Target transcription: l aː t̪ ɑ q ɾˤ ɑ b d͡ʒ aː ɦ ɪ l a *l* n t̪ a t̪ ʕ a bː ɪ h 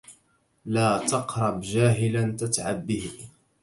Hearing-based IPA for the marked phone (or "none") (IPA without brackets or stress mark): none